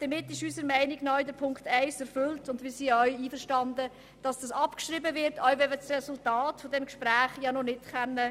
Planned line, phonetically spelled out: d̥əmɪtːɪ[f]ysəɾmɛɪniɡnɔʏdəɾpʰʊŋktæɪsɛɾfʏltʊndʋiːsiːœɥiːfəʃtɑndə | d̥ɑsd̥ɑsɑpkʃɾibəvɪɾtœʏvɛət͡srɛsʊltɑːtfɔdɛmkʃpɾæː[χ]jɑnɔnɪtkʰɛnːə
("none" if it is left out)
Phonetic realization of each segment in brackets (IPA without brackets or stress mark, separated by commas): ʃ, χ